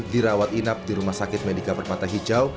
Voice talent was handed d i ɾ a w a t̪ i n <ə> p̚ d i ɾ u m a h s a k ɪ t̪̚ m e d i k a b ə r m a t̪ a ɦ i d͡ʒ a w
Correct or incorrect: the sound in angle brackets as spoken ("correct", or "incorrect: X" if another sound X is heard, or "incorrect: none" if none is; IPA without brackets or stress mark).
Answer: incorrect: a